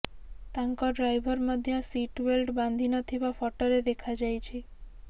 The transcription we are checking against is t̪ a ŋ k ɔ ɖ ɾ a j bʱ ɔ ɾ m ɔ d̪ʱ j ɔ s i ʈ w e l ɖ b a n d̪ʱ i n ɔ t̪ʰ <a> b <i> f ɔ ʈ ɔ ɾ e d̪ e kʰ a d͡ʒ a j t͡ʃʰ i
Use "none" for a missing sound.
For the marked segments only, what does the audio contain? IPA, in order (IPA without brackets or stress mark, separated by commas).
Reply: i, a